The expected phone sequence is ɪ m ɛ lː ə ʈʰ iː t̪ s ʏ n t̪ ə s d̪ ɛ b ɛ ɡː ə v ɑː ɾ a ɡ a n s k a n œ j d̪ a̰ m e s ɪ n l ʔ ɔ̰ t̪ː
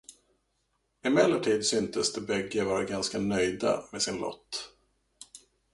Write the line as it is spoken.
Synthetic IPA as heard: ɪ m ɛ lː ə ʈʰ iː d̪ s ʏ n t̪ ə s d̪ ɛ b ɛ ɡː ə v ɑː ɾ a ɡ a n s k a n œ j d̪ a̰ m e s ɪ n l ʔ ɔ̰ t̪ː